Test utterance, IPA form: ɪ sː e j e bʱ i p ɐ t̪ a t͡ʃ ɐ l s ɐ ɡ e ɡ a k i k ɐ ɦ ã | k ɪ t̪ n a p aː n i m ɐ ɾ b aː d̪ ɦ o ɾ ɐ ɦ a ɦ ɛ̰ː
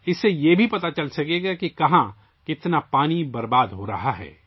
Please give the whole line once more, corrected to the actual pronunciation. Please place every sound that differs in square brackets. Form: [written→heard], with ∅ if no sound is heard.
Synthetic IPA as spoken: ɪ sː e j e bʱ i p ɐ t̪ a t͡ʃ ɐ l s ɐ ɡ e ɡ a k i k ɐ ɦ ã | k ɪ t̪ n a p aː n i [m→b] ɐ ɾ b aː d̪ ɦ o ɾ ɐ ɦ a ɦ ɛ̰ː